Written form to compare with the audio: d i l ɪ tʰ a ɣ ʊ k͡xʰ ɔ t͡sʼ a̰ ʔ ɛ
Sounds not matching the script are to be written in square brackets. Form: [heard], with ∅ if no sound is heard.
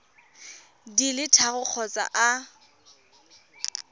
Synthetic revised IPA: d i l ɪ tʰ a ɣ ʊ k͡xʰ ɔ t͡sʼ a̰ ʔ [a]